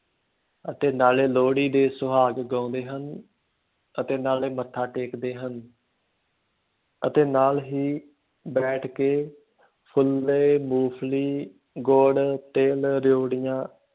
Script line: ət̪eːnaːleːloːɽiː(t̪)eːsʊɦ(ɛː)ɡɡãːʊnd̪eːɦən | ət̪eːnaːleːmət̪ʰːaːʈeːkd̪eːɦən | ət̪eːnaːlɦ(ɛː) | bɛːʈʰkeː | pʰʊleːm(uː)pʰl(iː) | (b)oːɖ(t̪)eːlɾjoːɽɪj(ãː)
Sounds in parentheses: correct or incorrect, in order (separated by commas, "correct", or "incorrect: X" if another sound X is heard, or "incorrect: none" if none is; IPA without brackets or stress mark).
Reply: incorrect: d̪, incorrect: aː, incorrect: iː, correct, correct, incorrect: ɡ, correct, correct